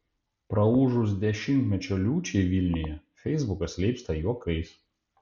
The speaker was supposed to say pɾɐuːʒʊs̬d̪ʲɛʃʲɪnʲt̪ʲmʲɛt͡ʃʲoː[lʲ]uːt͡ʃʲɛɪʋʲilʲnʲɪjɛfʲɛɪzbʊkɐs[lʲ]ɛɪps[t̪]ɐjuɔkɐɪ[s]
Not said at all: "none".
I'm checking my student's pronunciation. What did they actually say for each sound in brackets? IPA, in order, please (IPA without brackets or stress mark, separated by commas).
lʲ, lʲ, t̪, s